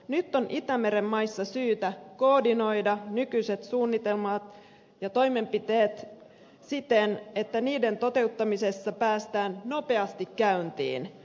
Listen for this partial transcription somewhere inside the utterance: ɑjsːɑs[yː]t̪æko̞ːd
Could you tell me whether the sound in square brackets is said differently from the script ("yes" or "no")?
no